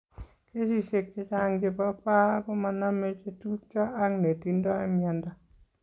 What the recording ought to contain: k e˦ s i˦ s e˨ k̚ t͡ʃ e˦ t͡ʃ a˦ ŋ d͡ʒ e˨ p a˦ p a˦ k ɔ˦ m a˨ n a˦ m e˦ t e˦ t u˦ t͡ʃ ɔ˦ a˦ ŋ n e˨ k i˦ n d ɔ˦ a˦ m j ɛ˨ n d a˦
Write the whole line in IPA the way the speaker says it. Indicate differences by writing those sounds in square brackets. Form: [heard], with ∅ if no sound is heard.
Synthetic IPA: k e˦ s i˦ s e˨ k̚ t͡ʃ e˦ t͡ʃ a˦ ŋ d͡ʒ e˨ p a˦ p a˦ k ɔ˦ m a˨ n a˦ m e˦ [t͡ʃ] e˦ t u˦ t͡ʃ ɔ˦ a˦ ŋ n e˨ [t] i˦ n d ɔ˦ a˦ m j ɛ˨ n d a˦